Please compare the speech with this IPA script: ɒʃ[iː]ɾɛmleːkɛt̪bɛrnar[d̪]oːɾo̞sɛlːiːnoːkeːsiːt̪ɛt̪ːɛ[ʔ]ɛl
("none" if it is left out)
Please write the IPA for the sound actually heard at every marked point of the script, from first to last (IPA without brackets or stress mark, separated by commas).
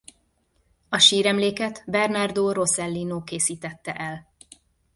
iː, d̪, ʔ